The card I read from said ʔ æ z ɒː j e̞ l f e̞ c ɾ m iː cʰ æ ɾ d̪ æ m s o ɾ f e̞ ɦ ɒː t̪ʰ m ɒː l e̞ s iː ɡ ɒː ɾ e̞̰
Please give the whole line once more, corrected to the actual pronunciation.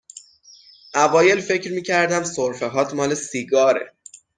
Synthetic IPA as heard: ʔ æ v ɒː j e̞ l f e̞ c ɾ m iː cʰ æ ɾ d̪ æ m s o ɾ f e̞ ɦ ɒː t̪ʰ m ɒː l e̞ s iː ɡ ɒː ɾ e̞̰